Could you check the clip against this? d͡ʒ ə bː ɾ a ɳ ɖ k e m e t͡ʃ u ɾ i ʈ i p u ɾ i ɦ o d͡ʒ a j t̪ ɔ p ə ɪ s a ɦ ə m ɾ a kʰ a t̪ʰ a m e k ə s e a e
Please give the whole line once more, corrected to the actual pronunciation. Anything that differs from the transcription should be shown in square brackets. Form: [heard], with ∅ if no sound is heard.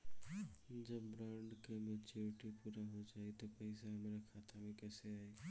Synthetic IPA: d͡ʒ ə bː ɾ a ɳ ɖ k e m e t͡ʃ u ɾ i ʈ i p u ɾ [a] ɦ o d͡ʒ a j t̪ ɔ p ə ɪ s a ɦ ə m ɾ a kʰ a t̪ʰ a m e k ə s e a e